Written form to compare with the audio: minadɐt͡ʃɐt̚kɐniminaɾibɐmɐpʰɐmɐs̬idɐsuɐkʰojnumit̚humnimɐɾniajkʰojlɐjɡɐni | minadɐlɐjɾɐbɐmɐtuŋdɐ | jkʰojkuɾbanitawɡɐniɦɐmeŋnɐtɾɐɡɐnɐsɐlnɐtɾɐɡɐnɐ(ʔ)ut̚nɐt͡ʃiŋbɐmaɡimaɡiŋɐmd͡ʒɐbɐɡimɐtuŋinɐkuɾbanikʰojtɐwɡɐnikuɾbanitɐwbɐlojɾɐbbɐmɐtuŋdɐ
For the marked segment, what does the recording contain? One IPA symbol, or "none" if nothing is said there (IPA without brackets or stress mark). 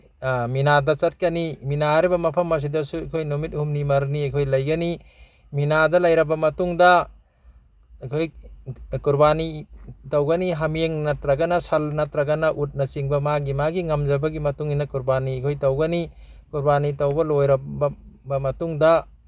ʔ